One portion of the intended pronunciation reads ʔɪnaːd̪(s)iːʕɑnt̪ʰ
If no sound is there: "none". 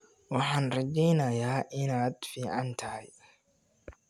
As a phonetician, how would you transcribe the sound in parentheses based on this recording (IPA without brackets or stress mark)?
f